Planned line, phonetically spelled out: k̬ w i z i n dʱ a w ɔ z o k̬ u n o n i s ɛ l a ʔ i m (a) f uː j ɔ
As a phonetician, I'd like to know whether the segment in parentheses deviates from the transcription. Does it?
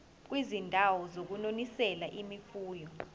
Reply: yes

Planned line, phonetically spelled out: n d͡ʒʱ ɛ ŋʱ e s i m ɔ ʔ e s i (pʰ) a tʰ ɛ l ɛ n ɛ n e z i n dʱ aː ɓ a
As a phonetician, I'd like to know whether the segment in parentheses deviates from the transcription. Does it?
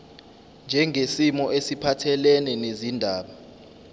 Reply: no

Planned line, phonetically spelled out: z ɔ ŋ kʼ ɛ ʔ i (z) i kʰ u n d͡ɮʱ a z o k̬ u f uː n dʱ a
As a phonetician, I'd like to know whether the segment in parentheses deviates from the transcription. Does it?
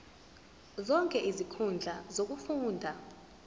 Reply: no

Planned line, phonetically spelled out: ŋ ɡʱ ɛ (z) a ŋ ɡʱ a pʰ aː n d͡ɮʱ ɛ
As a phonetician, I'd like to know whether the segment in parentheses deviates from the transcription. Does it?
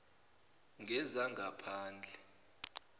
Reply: no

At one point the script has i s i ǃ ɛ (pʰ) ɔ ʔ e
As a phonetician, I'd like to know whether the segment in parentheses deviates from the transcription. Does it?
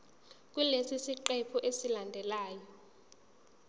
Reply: no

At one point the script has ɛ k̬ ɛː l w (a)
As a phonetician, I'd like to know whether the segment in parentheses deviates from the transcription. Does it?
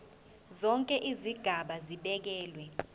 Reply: yes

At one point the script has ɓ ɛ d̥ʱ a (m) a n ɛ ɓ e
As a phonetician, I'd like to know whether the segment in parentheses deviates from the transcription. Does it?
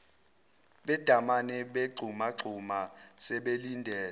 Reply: no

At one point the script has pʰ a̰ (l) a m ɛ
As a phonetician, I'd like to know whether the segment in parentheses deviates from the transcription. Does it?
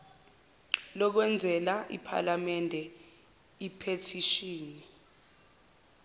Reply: no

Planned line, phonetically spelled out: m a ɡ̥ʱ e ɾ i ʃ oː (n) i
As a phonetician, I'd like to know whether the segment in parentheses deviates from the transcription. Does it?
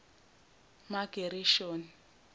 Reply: no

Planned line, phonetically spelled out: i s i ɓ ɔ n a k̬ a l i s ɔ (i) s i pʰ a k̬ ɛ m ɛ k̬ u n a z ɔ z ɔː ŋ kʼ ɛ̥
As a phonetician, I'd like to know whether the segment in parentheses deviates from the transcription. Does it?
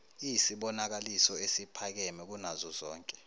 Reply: yes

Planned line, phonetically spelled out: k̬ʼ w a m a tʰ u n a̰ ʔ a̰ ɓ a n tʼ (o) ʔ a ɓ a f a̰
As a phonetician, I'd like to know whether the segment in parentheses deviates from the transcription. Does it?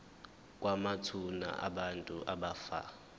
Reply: yes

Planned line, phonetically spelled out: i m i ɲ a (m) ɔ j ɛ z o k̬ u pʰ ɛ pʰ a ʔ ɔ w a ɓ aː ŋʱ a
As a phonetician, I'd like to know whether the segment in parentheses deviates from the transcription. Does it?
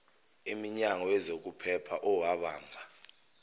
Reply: yes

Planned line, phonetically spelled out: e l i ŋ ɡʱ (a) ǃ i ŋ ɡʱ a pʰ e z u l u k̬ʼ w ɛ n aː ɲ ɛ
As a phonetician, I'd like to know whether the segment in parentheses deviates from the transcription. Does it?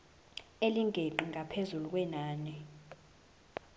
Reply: yes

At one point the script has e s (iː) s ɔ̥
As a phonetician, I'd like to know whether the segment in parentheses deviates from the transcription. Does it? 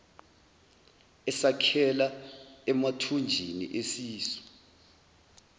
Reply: no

